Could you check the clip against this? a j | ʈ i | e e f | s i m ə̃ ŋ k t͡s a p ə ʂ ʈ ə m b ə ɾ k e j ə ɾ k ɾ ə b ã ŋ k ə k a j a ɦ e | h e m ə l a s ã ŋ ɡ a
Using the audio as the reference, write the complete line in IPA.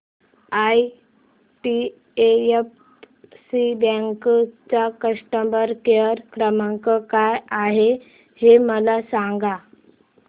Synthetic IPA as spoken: a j | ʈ i | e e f | s i b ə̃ ŋ k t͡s a k ə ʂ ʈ ə m b ə ɾ k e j ə ɾ k ɾ ə m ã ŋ k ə k a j a ɦ e | h e m ə l a s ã ŋ ɡ a